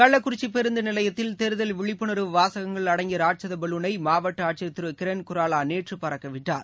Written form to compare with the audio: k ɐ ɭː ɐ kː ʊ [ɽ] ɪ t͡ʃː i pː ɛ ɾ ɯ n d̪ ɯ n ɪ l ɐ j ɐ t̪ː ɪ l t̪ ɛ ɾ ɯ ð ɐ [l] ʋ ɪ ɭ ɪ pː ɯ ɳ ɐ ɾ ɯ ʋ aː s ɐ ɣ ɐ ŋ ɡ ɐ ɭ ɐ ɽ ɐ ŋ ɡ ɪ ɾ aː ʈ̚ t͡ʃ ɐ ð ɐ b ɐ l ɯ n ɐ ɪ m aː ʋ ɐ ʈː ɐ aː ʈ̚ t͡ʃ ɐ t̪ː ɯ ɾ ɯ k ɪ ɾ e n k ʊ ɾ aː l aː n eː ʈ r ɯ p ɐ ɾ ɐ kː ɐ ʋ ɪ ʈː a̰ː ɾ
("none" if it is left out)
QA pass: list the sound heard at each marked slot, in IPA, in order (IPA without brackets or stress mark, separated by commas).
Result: ɾ, l